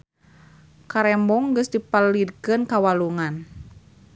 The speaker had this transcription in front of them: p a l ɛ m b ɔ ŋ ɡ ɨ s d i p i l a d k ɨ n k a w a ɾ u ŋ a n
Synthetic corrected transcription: k a ɾ ɛ m b ɔ ŋ ɡ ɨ s d i p a l i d k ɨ n k a w a l u ŋ a n